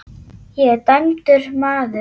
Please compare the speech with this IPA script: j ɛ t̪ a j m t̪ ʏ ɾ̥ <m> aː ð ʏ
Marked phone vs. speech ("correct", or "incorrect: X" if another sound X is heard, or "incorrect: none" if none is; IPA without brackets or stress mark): correct